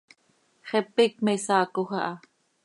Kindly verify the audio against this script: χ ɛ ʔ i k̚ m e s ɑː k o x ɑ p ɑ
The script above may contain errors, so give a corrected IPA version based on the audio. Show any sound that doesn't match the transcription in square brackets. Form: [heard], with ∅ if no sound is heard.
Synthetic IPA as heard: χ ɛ [p] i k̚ m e s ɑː k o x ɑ [ʔ] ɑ